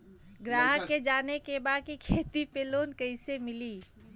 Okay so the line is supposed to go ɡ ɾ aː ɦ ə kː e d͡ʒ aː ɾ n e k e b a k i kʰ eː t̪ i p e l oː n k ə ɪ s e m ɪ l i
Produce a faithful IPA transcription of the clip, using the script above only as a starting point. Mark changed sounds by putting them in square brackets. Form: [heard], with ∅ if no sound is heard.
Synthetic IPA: ɡ ɾ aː ɦ ə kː e d͡ʒ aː [∅] n e k e b a k i kʰ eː t̪ i p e l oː n k ə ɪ s e m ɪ l i

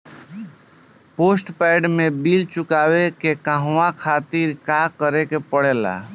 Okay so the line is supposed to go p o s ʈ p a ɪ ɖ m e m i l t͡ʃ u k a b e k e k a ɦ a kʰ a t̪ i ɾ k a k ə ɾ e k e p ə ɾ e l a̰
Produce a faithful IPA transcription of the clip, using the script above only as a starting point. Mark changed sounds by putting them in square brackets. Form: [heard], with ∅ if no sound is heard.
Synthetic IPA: p o s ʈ p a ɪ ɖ m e [b] i l t͡ʃ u k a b e k e k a ɦ a kʰ a t̪ i ɾ k a k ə ɾ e k e p ə [ɽ] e l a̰

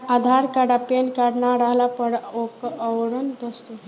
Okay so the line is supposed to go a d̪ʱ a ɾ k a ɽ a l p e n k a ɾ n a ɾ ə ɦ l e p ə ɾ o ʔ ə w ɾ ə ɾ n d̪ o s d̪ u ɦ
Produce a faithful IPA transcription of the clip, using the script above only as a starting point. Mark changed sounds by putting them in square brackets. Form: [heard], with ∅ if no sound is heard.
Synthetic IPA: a d̪ʱ a ɾ k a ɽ a [∅] p e n k a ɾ n a ɾ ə ɦ l [a] p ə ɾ o [k] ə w ɾ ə [∅] n d̪ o s [t̪] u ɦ

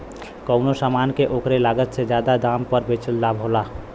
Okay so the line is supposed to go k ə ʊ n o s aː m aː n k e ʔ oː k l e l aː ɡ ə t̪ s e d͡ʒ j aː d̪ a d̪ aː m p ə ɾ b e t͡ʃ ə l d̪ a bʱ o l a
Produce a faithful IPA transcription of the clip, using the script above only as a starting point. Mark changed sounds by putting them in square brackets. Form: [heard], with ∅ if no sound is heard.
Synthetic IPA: k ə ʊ n o s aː m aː n k e ʔ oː k [ɾ] e l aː ɡ ə t̪ s e d͡ʒ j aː d̪ a d̪ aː m p ə ɾ b e t͡ʃ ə l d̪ a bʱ o l a

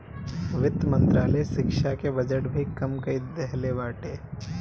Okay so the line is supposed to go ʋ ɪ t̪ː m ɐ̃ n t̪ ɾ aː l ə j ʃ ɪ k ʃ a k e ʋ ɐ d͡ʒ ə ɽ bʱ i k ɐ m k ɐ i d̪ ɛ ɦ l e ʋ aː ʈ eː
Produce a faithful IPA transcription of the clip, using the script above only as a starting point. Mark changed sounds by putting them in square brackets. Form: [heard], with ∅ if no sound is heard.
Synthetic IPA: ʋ ɪ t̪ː m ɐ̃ n t̪ ɾ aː l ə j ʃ ɪ k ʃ a k e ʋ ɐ d͡ʒ ə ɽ bʱ i k ɐ m k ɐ i d̪ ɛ ɦ l e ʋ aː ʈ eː

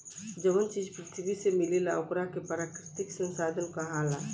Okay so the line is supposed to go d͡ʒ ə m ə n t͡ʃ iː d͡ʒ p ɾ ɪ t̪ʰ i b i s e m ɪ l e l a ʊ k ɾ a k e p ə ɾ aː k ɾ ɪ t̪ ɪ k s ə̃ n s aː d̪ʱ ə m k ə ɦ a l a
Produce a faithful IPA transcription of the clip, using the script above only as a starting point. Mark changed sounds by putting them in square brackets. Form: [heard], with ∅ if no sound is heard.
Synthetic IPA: d͡ʒ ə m ə n t͡ʃ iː d͡ʒ p ɾ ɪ t̪ʰ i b i s e m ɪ l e l a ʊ k ɾ a k e p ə ɾ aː k ɾ ɪ t̪ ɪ k s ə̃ n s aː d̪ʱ ə [n] k [a] ɦ a l a

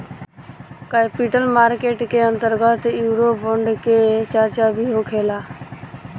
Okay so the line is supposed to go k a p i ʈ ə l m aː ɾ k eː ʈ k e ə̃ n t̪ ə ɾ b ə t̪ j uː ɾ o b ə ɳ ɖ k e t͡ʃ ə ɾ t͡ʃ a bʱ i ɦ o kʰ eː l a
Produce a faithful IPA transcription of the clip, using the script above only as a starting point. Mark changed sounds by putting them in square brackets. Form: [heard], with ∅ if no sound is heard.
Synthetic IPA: k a p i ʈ ə l m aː ɾ k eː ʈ k e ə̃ n t̪ ə ɾ [ɡ] ə t̪ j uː ɾ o b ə ɳ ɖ k e t͡ʃ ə ɾ t͡ʃ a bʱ i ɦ o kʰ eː l a

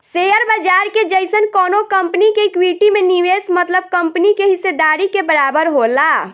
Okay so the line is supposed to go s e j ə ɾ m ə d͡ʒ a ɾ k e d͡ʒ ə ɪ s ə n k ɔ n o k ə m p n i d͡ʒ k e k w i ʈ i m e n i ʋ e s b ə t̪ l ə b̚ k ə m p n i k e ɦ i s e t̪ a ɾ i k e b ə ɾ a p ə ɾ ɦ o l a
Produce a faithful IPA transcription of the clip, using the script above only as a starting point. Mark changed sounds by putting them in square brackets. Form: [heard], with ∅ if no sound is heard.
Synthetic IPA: s e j ə ɾ [b] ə d͡ʒ a ɾ k e d͡ʒ ə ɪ s ə n k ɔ n o k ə m p n i [∅] k e k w i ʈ i m e n i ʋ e s [m] ə t̪ l ə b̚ k ə m p n i k e ɦ i s e [d̪] a ɾ i k e b ə ɾ a [b] ə ɾ ɦ o l a

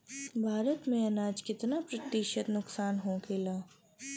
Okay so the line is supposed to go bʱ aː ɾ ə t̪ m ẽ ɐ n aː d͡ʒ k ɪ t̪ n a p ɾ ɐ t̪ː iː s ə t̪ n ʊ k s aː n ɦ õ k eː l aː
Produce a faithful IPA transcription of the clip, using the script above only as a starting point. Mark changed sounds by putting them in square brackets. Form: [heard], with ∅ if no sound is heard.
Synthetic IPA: bʱ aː ɾ ə t̪ m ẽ ɐ n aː d͡ʒ k ɪ t̪ n a p ɾ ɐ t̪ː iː [ʃ] ə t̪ n ʊ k s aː n ɦ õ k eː l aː

